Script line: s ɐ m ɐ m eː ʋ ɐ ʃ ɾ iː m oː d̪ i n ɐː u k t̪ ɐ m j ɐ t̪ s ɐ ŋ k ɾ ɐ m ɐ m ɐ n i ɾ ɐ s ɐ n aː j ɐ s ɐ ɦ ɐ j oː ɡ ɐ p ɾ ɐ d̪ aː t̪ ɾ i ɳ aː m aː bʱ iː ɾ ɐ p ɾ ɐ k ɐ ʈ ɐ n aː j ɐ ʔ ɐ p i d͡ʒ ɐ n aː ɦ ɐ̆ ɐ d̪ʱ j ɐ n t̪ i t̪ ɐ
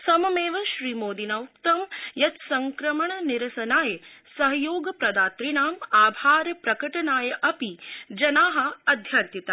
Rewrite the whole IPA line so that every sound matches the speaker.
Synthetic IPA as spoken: s ɐ m ɐ m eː ʋ ɐ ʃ ɾ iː m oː d̪ i n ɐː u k t̪ ɐ m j ɐ t̪ s ɐ ŋ k ɾ ɐ m ɐ ɳ ɐ n i ɾ ɐ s ɐ n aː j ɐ s ɐ ɦ ɐ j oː ɡ ɐ p ɾ ɐ d̪ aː t̪ ɾ i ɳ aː m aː bʱ aː ɾ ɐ p ɾ ɐ k ɐ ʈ ɐ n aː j ɐ ʔ ɐ p i d͡ʒ ɐ n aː ɦ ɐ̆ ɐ d̪ʱ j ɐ n t̪ i t̪ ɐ